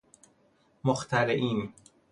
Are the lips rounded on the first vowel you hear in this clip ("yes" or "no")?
yes